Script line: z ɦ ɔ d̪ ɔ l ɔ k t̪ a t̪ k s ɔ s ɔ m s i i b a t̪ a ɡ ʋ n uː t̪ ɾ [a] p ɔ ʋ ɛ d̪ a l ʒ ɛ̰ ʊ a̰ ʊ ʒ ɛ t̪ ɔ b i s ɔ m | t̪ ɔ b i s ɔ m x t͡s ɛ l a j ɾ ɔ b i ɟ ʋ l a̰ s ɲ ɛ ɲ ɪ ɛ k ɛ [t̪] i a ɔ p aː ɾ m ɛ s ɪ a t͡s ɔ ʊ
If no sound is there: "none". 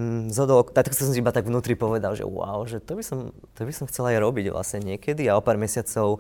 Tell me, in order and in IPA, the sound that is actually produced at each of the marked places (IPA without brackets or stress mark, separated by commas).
i, d̪